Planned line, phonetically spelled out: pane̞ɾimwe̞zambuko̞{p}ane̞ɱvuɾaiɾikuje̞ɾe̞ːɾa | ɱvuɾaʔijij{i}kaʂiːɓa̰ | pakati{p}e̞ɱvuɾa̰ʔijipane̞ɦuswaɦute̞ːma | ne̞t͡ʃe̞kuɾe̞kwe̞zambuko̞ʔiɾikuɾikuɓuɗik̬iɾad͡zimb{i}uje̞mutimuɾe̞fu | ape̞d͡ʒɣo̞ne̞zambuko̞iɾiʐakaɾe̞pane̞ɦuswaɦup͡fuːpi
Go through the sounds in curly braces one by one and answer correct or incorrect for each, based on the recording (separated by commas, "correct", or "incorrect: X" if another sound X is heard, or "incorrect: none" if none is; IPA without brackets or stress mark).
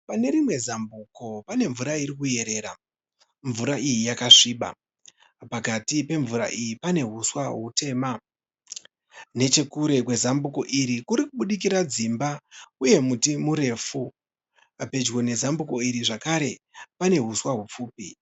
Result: correct, incorrect: a, correct, incorrect: a